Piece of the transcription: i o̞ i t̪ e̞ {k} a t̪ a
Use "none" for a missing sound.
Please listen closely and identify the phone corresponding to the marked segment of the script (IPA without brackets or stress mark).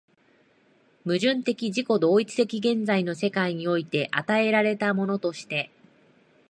ʔ